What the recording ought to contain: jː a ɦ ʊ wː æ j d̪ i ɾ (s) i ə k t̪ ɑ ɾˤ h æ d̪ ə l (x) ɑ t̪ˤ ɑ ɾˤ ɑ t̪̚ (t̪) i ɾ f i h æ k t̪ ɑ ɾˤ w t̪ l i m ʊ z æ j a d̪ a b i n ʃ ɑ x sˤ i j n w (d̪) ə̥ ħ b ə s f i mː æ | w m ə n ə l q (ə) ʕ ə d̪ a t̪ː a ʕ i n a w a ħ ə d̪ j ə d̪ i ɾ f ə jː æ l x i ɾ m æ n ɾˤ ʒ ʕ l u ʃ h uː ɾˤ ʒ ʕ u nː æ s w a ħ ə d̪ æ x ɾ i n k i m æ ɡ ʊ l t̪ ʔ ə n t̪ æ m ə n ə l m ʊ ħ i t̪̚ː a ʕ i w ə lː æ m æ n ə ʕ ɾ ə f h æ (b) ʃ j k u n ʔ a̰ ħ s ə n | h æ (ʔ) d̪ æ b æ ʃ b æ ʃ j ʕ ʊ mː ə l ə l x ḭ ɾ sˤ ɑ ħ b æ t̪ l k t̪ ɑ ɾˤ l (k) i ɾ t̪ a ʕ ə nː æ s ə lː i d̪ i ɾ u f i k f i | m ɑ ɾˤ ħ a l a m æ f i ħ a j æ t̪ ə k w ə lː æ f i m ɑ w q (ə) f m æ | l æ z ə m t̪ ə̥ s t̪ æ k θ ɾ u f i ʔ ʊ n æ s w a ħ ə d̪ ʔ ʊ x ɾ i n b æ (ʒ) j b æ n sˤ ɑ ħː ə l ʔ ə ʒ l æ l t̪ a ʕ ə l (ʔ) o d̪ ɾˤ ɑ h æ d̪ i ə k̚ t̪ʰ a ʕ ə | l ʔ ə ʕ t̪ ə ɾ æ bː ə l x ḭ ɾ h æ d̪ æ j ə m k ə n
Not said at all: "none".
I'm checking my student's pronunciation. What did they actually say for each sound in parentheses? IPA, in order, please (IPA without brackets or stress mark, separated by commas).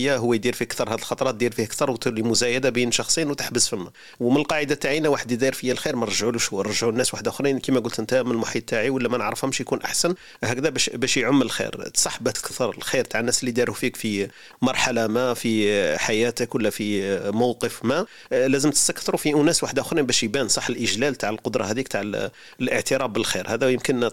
f, x, d̪, t̪, ɑ, m, k, x, ə, ʃ, q